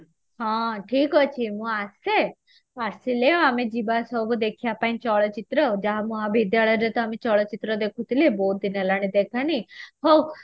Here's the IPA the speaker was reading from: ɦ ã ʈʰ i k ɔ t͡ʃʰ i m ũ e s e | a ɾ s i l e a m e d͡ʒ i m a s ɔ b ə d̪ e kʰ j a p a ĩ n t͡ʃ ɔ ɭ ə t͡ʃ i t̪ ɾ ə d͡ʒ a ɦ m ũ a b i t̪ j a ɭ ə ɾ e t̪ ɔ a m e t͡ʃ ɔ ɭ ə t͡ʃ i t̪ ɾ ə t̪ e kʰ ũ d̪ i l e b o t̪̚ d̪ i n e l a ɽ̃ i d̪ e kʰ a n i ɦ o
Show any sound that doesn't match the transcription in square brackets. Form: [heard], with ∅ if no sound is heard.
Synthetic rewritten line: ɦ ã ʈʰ i k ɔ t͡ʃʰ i m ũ [a] s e | a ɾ s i l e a m e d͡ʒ i [b] a s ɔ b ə d̪ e kʰ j a p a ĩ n t͡ʃ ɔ ɭ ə t͡ʃ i t̪ ɾ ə d͡ʒ a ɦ m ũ a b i [d̪] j a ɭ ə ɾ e t̪ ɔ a m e t͡ʃ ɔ ɭ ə t͡ʃ i t̪ ɾ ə [d̪] e kʰ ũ [t̪] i l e b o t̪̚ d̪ i n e l a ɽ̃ i d̪ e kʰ a n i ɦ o